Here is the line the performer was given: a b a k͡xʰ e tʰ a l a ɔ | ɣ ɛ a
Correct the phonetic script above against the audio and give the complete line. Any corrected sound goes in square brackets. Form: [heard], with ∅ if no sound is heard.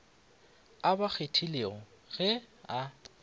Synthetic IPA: a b a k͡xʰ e tʰ [i] l [e] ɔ | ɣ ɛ a